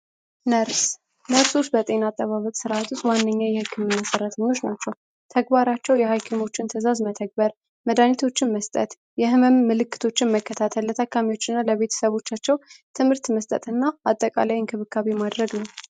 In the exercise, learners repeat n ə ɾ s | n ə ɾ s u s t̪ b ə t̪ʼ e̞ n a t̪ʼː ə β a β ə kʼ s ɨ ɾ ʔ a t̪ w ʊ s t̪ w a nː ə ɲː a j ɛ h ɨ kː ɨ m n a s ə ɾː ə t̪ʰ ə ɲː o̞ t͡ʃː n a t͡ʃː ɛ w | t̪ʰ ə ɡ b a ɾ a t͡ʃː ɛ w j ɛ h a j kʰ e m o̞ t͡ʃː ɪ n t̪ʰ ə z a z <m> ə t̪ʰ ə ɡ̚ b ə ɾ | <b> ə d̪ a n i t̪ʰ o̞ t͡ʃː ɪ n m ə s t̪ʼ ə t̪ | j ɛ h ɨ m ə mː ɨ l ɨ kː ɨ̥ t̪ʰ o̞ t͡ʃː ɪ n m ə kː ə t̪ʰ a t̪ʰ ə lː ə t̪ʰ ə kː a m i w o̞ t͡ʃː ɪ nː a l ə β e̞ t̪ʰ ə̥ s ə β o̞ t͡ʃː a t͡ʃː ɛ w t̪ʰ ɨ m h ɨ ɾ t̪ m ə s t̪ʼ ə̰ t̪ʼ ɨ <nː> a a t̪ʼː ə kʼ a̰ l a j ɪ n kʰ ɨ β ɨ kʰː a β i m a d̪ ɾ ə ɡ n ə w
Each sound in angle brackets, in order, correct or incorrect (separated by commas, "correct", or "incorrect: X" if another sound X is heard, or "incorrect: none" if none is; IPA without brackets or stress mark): correct, incorrect: m, correct